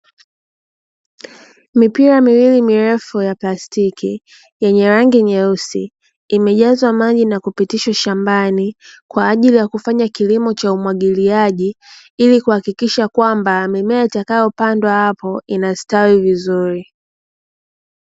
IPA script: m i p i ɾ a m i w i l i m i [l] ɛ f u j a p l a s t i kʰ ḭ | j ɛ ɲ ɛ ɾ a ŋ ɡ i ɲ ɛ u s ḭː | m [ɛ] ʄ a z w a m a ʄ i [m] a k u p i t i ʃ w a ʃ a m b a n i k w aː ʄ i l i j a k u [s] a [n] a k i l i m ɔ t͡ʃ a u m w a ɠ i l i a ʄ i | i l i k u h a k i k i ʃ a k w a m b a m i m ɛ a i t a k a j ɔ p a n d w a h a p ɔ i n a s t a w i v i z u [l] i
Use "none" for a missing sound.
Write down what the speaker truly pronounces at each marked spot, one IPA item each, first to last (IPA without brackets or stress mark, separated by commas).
ɾ, ɛ, n, f, ɲ, ɾ